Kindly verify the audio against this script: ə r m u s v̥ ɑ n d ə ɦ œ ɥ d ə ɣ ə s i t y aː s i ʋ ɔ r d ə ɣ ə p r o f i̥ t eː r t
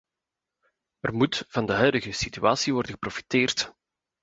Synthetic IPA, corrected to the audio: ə r m u t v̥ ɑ n d ə ɦ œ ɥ d ə ɣ ə s i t y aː s i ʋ ɔ r d ə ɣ ə p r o f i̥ t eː r t